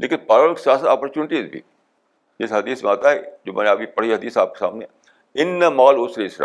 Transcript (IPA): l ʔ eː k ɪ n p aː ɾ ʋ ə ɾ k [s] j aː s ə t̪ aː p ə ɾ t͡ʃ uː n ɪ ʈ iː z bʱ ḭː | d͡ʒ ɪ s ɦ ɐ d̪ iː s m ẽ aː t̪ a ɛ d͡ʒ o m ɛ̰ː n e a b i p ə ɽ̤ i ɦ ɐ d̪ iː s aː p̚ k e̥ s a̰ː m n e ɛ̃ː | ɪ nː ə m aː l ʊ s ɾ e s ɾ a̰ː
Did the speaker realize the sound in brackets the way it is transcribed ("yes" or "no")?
yes